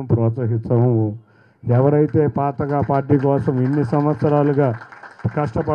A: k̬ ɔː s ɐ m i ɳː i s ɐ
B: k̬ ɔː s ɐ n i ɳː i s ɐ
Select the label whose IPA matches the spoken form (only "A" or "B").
A